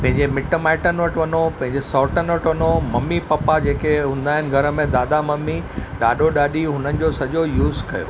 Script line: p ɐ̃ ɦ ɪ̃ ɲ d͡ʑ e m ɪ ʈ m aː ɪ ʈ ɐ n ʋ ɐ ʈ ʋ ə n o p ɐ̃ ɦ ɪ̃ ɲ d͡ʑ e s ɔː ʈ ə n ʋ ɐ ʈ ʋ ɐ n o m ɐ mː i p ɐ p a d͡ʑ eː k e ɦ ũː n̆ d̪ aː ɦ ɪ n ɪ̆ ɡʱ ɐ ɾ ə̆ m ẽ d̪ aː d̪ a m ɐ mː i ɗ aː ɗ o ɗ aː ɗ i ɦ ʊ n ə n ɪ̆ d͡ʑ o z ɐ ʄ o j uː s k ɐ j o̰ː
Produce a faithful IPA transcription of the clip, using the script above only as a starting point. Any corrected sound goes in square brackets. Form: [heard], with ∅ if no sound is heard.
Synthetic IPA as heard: p ɐ̃ ɦ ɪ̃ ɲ d͡ʑ e m ɪ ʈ m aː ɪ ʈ [ə] n ʋ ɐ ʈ ʋ [ɐ] n o p ɐ̃ ɦ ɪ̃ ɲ d͡ʑ e s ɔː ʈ ə n ʋ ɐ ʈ ʋ ɐ n o m ɐ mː i p ɐ p a d͡ʑ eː k e ɦ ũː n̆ d̪ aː ɦ ɪ n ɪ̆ ɡʱ ɐ ɾ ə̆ m ẽ d̪ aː d̪ a m ɐ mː i ɗ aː ɗ o ɗ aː ɗ i ɦ ʊ n ə n ɪ̆ d͡ʑ o [s] ɐ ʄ o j uː [z] k ɐ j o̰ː

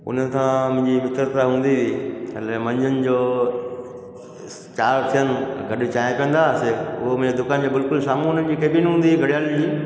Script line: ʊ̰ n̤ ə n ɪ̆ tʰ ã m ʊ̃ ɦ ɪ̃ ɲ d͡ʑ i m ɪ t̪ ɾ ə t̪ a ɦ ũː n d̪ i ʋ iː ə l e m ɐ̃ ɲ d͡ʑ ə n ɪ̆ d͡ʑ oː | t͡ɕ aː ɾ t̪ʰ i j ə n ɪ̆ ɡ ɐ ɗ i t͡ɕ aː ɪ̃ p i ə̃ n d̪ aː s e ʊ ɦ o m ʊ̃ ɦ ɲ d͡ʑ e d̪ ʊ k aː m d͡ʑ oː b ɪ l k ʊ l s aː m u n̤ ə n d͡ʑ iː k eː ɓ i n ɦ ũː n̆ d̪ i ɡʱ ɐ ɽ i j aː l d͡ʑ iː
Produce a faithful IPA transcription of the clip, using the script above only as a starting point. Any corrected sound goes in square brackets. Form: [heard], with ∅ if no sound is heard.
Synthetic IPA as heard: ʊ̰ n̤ ə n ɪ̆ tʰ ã m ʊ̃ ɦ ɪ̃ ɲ d͡ʑ i m ɪ t̪ ɾ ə t̪ a ɦ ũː n d̪ i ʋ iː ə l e m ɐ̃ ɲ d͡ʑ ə n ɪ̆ d͡ʑ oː | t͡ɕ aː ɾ t̪ʰ i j ə n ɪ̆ ɡ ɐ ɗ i t͡ɕ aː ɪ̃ p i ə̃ n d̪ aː s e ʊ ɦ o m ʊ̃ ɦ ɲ d͡ʑ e d̪ ʊ k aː [n] d͡ʑ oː b ɪ l k ʊ l s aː m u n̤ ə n d͡ʑ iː k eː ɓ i n ɦ ũː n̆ d̪ i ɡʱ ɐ ɽ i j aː l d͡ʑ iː

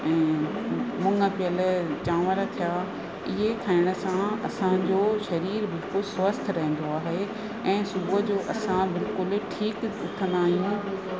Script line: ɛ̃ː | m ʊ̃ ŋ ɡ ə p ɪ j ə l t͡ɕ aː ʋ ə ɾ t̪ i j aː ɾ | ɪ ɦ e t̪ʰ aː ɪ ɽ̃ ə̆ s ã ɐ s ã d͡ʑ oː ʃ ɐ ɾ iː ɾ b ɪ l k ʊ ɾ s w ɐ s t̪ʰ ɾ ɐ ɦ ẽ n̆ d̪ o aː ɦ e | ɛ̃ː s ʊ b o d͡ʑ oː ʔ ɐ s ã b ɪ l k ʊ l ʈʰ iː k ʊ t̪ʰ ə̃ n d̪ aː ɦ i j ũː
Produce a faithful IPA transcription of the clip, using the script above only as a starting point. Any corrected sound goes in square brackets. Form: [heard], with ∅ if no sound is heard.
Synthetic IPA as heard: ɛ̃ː | m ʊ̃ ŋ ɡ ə p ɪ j ə l t͡ɕ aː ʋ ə ɾ [t̪ʰ] i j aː [∅] | ɪ ɦ e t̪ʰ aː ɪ ɽ̃ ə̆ s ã ɐ s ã d͡ʑ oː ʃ ɐ ɾ iː ɾ b ɪ l k ʊ [l] s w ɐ s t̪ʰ ɾ ɐ ɦ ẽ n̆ d̪ o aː ɦ e | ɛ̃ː s ʊ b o d͡ʑ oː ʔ ɐ s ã b ɪ l k ʊ l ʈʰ iː k ʊ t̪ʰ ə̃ n d̪ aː ɦ i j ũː

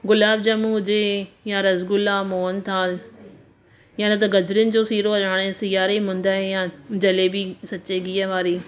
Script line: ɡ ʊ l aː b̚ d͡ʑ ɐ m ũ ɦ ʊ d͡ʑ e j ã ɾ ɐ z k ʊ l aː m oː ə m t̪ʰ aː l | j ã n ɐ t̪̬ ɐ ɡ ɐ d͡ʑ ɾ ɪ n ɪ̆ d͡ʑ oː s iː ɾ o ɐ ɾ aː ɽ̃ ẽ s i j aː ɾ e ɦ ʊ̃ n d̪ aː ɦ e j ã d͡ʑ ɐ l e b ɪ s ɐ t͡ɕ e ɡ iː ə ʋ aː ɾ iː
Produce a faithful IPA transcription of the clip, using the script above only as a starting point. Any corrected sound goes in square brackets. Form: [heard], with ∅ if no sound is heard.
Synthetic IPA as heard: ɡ ʊ l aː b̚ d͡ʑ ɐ m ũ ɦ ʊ d͡ʑ e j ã ɾ ɐ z [ɡ] ʊ l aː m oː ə [n] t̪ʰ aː l | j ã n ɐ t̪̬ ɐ ɡ ɐ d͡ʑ ɾ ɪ n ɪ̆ d͡ʑ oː s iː ɾ o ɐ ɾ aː ɽ̃ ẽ s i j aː ɾ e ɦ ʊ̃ n d̪ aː ɦ e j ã d͡ʑ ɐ l e b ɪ s ɐ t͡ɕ e ɡ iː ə ʋ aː ɾ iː

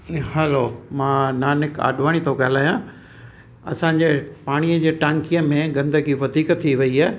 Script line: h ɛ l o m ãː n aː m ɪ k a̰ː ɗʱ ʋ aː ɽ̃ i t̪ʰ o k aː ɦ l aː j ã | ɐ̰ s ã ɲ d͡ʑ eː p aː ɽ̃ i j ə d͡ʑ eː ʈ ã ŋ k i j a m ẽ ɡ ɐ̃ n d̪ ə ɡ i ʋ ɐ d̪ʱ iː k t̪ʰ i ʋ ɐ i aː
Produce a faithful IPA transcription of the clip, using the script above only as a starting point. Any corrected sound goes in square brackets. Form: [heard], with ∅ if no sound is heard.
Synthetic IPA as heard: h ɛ l o m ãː n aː [n] ɪ k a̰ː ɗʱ ʋ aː ɽ̃ i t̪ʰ o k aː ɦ l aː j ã | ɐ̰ s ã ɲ d͡ʑ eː p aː ɽ̃ i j ə d͡ʑ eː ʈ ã ŋ k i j [ə] m ẽ ɡ ɐ̃ n d̪ ə ɡ i ʋ ɐ d̪ʱ iː k t̪ʰ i ʋ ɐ i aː

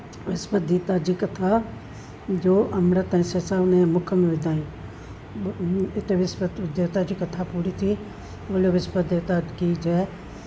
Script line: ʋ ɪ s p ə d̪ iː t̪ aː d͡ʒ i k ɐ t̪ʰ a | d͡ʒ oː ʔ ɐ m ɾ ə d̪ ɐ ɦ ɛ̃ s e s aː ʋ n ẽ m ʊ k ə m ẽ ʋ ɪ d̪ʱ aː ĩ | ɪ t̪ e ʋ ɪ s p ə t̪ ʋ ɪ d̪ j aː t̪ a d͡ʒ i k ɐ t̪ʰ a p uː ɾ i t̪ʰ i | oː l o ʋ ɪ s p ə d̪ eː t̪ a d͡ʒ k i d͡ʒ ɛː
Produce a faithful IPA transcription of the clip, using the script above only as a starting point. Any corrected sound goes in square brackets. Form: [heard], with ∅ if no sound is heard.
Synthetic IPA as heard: ʋ ɪ s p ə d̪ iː t̪ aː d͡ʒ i k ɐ t̪ʰ a | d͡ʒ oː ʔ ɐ m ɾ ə [t̪] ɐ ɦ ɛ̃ s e s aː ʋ n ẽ m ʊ [kʰ] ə m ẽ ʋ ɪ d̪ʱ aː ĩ | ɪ t̪ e ʋ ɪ s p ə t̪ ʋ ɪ d̪ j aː t̪ a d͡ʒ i k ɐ t̪ʰ a p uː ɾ i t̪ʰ i | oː l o ʋ ɪ s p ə d̪ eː t̪ a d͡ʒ k i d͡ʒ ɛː

